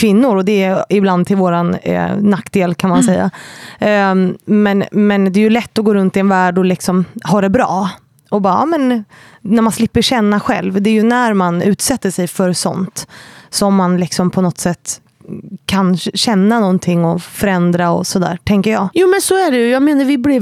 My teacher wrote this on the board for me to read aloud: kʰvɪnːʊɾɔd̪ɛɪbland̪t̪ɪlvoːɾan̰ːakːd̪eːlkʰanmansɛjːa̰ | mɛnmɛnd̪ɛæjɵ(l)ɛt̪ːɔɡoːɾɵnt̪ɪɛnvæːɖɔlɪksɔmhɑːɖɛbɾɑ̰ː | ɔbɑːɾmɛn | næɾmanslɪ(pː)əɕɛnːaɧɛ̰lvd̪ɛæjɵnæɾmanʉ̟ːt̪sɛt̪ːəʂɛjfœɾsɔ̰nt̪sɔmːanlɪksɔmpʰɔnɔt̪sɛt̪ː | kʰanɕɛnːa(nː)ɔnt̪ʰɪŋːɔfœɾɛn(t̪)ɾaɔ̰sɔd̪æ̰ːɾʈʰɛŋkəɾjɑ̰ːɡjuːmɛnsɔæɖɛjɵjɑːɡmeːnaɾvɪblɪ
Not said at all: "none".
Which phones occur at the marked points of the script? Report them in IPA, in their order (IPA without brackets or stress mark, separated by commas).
l, pː, n, d̪